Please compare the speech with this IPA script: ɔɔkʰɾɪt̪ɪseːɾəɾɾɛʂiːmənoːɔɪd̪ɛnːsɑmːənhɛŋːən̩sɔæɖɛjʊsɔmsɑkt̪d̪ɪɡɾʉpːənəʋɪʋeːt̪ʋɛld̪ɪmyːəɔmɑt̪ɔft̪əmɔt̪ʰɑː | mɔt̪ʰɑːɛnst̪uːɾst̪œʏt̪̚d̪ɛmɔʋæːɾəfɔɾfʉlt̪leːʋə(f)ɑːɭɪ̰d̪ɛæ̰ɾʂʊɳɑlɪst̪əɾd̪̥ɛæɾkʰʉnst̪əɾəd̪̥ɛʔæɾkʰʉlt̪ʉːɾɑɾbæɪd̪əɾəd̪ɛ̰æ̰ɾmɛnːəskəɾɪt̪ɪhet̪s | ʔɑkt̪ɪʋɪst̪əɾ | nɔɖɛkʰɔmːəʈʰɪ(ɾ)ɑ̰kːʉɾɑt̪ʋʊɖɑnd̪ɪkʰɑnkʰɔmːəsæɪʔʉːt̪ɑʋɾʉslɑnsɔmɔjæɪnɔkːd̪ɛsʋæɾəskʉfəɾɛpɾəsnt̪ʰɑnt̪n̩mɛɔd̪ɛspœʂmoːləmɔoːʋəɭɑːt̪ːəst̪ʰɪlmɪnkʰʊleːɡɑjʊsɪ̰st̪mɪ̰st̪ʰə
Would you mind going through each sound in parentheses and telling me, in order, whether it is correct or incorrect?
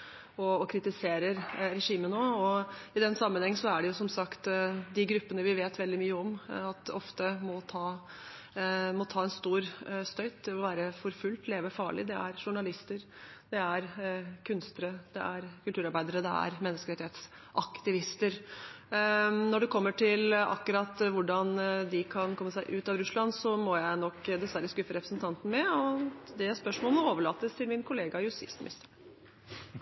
correct, incorrect

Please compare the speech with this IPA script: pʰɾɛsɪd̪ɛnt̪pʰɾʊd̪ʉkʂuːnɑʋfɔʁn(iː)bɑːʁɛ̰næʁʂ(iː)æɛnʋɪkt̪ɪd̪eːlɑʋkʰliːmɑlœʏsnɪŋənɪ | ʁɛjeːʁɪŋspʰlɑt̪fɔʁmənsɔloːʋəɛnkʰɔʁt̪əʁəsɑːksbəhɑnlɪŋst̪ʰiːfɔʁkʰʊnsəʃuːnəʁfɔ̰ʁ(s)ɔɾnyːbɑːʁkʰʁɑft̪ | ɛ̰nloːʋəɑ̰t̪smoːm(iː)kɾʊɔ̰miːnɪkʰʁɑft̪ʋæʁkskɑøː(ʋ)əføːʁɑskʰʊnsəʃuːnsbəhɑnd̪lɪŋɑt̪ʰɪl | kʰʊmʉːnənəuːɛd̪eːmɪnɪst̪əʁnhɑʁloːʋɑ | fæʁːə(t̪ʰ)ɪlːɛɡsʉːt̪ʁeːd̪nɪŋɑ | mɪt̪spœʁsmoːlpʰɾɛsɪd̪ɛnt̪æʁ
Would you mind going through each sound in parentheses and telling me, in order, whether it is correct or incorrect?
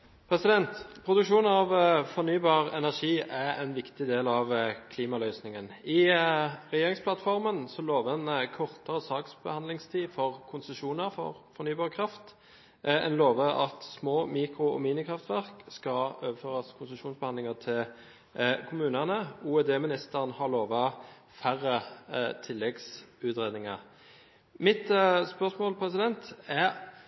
incorrect, correct, incorrect, correct, correct, correct

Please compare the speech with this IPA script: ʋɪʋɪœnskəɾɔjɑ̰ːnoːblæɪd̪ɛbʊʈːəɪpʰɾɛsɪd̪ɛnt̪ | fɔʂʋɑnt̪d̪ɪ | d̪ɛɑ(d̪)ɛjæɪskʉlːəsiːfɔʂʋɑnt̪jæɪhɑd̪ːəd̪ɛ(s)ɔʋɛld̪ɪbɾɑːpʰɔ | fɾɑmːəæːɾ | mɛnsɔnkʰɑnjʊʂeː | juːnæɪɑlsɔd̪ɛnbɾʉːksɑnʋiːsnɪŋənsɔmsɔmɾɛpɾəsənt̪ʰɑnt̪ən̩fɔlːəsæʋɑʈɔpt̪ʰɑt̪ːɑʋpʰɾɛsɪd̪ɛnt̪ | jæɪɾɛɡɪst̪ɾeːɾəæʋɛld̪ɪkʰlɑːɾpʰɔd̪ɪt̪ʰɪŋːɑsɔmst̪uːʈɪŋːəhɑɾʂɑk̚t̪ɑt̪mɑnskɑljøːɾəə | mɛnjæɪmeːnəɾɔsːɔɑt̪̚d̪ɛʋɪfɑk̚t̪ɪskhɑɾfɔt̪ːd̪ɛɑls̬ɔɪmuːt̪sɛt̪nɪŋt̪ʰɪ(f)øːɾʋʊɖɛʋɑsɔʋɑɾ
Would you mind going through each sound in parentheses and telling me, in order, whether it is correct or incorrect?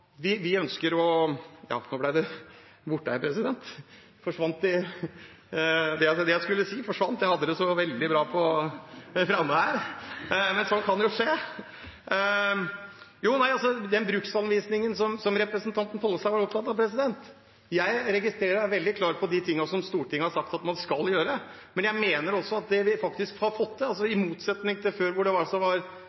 correct, correct, correct

